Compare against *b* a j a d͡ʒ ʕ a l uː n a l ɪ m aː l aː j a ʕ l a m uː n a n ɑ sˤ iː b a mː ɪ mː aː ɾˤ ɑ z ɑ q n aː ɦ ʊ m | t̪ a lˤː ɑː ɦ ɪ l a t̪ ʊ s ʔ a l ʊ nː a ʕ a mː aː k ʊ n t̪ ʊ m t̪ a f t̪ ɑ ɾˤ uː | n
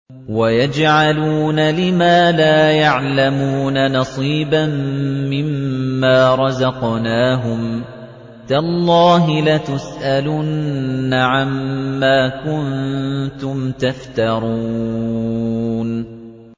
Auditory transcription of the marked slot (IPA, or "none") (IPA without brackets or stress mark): w